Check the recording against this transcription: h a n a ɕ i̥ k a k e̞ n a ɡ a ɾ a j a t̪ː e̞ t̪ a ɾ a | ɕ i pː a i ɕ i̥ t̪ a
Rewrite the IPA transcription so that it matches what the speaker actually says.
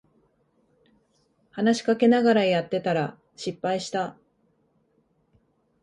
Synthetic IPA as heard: h a n a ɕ i̥ k a k e̞ n a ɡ a ɾ a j a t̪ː e̞ t̪ a ɾ a | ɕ i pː a i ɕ i̥ t̪ a